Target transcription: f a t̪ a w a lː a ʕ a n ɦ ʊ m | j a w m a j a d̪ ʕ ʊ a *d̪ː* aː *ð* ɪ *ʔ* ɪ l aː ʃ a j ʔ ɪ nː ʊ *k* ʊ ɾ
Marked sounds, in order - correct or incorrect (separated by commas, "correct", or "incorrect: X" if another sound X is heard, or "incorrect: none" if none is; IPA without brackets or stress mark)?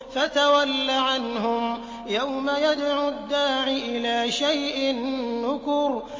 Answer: correct, incorrect: ʕ, correct, correct